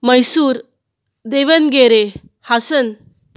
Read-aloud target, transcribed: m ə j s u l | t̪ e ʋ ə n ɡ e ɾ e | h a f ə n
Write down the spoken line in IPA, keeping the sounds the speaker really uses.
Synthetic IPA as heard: m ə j s u ɾ | d̪ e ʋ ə n ɡ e ɾ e | h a s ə n

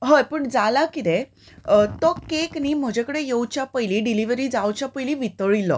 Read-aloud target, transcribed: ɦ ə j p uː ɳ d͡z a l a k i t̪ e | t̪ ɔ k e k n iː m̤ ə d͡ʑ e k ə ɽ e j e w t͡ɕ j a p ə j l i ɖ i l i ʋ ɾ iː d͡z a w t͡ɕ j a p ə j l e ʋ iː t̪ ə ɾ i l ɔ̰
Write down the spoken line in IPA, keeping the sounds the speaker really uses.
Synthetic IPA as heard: ɦ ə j p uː ɳ d͡z a l a k i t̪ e | t̪ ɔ k e k n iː m̤ ə d͡ʑ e k ə ɽ e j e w t͡ɕ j a p ə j l i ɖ i l i ʋ ɾ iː d͡z a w t͡ɕ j a p ə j l i ʋ i t̪ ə ɭ i l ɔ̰

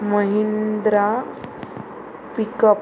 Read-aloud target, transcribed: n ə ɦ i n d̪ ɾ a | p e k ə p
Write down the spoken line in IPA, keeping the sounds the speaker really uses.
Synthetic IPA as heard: m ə ɦ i n d̪ ɾ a | p i k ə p

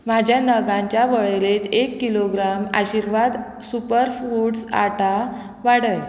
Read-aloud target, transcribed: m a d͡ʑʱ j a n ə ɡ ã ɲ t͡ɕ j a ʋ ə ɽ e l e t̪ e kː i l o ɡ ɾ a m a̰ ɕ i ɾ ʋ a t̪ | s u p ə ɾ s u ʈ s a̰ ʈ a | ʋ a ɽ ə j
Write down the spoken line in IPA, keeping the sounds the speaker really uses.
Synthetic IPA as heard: m a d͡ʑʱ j a n ə ɡ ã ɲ t͡ɕ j a ʋ ə ɭ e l e t̪ e kː i l o ɡ ɾ a m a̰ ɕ i ɾ ʋ a d̪ | s u p ə ɾ f u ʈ s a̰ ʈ a | ʋ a ɽ ə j

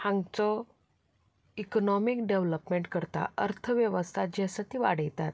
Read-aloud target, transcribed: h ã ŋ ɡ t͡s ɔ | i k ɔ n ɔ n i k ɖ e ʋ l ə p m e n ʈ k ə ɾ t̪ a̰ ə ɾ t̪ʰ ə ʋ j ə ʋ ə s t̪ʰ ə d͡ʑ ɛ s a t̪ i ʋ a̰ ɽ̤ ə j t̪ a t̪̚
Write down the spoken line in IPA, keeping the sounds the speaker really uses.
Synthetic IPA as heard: h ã ŋ ɡ t͡s ɔ | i k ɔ n ɔ m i k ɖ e ʋ l ə p m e ɳ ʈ k ə ɾ t̪ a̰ ə ɾ t̪ʰ ə ʋ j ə ʋ ə s t̪ʰ a d͡ʑ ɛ s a t̪ i ʋ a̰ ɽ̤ ə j t̪ a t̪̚

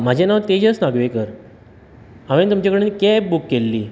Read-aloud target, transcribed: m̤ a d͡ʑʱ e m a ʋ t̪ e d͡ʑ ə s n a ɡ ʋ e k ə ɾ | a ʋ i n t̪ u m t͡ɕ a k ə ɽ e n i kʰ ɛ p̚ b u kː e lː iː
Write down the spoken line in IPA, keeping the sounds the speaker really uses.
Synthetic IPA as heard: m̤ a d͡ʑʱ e n a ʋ t̪ e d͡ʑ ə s n a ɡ ʋ e k ə ɾ | a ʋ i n t̪ u m t͡ɕ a k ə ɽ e n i k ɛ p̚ b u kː e lː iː

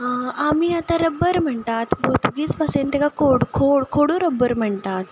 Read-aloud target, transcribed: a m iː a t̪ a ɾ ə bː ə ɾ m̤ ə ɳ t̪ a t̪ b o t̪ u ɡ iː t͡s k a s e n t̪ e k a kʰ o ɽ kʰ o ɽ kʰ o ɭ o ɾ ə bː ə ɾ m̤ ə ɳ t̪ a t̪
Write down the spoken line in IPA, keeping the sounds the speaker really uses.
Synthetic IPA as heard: a m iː a t̪ a ɾ ə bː ə ɾ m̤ ə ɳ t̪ a t̪ b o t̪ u ɡ iː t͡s p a s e n t̪ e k a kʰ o ɽ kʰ o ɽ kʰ o ɽ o ɾ ə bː ə ɾ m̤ ə ɳ t̪ a t̪

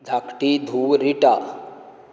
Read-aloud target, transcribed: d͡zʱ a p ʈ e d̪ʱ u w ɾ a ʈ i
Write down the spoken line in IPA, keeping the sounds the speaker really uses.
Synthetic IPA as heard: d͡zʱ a k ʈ i d̪ʱ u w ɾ i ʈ a

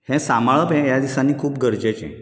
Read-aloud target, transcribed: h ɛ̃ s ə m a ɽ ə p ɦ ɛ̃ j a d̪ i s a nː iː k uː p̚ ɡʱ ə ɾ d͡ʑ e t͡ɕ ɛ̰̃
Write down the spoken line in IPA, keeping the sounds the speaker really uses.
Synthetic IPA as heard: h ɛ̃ s a m a ɭ ə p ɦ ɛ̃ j a d̪ i s a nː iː kʰ uː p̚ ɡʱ ə ɾ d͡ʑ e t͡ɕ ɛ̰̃

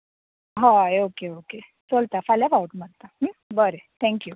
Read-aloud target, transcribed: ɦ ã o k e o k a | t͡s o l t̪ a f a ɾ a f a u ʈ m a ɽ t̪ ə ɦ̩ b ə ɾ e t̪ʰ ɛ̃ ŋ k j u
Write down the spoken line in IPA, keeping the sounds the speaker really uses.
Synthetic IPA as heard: ɦ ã o k e o k e | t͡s o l t̪ a f a l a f a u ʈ m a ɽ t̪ a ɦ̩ b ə ɾ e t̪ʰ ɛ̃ ŋ k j u

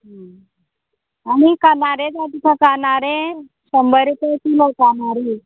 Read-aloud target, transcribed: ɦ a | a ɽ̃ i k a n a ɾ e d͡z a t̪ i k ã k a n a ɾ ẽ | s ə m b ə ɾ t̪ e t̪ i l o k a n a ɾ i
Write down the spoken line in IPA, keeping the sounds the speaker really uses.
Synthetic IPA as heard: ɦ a | a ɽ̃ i k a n a ɾ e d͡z a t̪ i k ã k a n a ɾ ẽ | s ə m b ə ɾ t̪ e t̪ i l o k a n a ɾ i

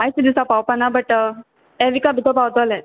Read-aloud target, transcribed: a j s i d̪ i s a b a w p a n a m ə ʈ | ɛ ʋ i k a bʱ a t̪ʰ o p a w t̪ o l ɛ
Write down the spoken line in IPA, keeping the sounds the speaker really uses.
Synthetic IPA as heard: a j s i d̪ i s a p a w p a n a b ə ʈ | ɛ ʋ i k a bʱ i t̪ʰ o p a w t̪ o l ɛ

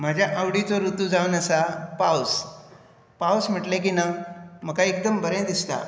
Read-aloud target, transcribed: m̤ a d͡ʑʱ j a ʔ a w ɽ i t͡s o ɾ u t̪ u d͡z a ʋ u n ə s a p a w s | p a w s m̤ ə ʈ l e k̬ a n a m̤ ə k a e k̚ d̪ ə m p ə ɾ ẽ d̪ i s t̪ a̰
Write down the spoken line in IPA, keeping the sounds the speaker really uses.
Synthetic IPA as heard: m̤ a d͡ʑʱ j a ʔ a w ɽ i t͡s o ɾ u t̪ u d͡z a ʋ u n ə s a p a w s | p a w s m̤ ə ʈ l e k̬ i n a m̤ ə k a e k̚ d̪ ə m b ə ɾ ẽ d̪ i s t̪ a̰

